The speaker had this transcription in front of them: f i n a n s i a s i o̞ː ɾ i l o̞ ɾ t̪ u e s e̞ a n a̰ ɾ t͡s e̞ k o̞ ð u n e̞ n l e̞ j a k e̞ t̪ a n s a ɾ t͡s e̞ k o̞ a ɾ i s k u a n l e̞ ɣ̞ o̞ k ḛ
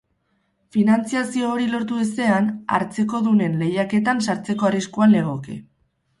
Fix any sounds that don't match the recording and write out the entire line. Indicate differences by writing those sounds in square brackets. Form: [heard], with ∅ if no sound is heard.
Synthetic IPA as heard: f i n a n [t͡s] i a s i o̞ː ɾ i l o̞ ɾ t̪ u e s e̞ a n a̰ ɾ t͡s e̞ k o̞ ð u n e̞ n l e̞ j a k e̞ t̪ a n s a ɾ t͡s e̞ k o̞ a [r] i s k u a n l e̞ ɣ̞ o̞ k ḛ